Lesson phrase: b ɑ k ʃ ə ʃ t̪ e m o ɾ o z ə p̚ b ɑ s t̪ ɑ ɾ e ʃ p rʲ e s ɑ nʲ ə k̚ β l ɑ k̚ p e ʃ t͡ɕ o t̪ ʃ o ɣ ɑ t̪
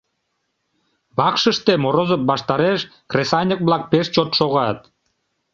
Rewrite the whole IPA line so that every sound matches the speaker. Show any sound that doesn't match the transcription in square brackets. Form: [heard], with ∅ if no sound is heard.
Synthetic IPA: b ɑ k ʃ ə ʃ t̪ e m o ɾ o z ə p̚ b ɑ [ʃ] t̪ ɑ ɾ e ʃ [k] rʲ e s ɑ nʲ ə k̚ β l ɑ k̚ p e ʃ t͡ɕ o t̪ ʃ o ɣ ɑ t̪